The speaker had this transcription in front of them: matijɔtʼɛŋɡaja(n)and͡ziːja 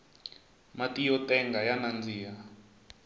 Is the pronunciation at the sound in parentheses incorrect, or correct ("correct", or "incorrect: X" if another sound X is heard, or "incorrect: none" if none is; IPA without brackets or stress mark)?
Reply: correct